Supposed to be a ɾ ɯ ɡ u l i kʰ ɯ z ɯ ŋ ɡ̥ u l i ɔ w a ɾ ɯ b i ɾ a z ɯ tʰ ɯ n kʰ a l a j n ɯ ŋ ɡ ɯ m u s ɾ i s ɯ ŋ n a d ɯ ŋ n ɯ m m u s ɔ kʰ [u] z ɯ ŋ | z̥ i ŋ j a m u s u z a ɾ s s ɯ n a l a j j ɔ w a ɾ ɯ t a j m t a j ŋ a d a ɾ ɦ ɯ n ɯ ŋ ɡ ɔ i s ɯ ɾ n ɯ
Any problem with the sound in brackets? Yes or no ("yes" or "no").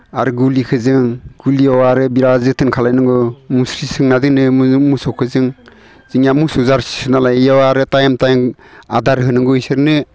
yes